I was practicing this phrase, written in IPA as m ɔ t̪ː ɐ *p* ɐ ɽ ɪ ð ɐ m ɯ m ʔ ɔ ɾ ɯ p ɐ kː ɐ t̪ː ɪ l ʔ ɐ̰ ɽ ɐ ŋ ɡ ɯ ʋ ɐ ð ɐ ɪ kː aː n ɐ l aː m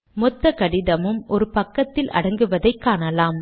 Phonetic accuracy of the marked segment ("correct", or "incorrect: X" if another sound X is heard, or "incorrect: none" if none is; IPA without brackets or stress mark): incorrect: k